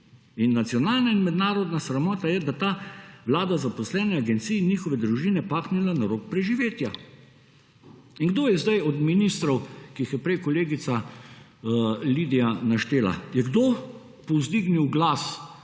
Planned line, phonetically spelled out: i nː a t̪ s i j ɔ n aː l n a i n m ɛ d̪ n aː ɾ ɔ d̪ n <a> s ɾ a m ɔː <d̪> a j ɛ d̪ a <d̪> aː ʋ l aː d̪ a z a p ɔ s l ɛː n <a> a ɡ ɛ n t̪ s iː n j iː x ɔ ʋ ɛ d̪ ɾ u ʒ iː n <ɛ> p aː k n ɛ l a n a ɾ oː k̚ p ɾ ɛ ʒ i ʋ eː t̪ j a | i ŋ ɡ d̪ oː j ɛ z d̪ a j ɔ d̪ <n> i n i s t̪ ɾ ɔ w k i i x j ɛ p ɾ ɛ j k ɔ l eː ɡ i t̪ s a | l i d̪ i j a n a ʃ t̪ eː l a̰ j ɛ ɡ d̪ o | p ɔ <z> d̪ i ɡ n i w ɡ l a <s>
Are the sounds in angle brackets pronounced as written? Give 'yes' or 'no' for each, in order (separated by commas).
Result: yes, no, no, no, yes, no, yes, yes